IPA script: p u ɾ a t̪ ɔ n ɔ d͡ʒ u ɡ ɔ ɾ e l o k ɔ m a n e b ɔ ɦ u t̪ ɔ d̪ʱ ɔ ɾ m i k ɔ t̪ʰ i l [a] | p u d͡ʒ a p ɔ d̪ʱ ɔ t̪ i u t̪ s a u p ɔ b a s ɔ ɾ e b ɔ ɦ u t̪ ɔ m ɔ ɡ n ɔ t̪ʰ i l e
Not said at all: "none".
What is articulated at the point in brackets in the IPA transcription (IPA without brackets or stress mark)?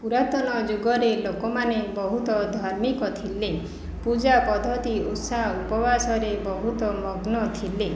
e